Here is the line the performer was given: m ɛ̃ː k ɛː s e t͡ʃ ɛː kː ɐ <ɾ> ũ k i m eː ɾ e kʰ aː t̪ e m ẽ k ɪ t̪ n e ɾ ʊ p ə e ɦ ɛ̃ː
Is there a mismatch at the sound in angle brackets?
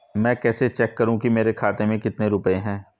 no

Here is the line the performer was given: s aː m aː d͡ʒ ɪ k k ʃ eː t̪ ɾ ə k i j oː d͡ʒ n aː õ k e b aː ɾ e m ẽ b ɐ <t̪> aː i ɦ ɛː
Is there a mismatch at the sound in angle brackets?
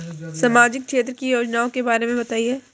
no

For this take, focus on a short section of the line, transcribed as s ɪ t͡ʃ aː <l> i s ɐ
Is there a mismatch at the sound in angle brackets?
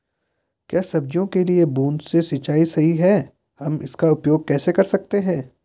yes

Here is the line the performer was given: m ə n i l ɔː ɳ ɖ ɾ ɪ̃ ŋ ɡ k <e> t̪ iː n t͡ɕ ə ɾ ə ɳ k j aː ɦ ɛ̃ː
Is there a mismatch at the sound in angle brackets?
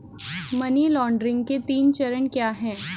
no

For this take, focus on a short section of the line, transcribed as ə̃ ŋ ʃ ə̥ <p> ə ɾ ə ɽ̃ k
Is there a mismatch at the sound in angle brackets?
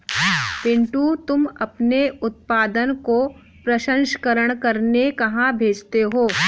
yes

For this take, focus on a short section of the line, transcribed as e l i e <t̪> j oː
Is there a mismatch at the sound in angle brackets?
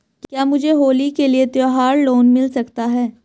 no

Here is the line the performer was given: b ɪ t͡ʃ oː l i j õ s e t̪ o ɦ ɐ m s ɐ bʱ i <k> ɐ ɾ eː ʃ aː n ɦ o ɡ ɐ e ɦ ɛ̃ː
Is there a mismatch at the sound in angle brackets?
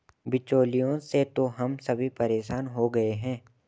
yes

